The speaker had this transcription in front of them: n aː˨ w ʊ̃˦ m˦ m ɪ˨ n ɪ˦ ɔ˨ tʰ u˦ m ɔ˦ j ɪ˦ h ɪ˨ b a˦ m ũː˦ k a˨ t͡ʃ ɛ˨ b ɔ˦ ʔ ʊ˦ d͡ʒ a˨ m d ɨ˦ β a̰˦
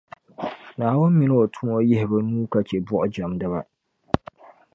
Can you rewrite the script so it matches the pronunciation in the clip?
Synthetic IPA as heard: n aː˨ w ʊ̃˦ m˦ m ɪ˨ n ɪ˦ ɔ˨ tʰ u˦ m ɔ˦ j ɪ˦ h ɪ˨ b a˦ n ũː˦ k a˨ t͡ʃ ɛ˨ b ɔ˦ ʔ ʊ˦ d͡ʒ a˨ m d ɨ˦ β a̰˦